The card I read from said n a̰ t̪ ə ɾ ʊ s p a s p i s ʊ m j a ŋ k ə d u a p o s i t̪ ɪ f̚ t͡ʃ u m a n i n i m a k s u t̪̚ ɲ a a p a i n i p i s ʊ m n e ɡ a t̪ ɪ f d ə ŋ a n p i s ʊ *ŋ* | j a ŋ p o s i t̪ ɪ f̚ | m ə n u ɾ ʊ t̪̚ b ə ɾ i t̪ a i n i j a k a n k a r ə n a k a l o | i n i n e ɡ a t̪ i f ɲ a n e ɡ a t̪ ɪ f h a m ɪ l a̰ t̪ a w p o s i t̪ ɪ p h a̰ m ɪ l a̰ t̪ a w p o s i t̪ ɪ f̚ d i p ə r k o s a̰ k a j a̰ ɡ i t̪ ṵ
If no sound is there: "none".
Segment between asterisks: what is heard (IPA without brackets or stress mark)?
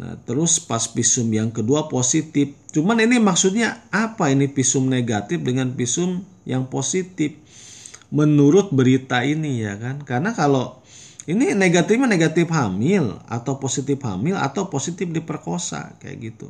m